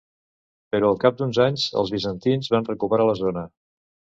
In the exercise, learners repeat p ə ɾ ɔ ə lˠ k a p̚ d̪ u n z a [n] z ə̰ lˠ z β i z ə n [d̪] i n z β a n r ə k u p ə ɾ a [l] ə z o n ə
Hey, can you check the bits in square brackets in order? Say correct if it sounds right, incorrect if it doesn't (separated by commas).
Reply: incorrect, incorrect, correct